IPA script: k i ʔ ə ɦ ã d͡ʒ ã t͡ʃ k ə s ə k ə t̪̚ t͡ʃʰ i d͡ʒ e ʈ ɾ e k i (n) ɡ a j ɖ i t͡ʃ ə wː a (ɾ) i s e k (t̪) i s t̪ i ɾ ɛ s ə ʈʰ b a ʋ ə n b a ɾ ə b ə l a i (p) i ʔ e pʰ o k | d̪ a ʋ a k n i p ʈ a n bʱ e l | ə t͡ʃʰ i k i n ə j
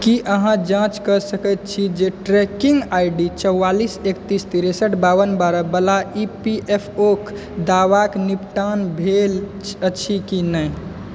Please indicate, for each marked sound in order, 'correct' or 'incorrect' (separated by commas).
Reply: incorrect, incorrect, correct, correct